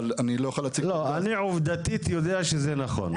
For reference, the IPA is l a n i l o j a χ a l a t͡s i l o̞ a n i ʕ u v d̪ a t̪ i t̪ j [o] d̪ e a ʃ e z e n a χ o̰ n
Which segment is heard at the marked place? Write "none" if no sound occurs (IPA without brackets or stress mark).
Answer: o